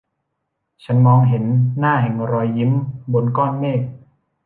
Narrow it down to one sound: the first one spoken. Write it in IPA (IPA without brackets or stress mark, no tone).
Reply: t͡ɕʰ